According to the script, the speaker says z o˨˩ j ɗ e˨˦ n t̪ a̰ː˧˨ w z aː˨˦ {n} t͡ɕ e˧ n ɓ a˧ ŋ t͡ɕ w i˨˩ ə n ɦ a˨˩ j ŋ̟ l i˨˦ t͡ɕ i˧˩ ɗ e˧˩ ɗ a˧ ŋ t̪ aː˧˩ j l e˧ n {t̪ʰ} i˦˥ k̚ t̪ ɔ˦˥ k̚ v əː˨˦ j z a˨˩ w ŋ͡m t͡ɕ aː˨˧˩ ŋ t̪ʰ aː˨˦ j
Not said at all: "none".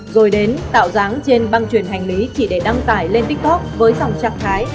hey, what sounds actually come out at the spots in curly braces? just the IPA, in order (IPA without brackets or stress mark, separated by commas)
ŋ, t̪